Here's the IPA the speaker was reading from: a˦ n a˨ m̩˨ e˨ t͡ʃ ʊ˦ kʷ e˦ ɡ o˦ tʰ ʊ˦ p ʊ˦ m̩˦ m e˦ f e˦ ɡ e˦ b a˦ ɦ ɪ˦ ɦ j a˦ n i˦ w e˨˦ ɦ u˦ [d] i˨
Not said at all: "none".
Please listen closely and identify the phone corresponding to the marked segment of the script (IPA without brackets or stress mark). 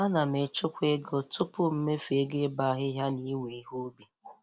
b